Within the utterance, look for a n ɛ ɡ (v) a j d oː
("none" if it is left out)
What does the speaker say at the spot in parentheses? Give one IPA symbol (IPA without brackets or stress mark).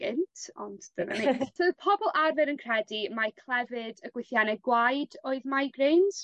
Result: w